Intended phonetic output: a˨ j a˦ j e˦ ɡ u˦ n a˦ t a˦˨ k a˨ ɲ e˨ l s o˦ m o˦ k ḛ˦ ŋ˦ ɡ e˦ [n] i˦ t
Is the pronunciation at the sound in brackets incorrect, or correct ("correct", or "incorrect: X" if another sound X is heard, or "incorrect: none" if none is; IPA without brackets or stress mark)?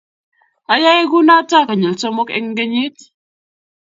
incorrect: ɲ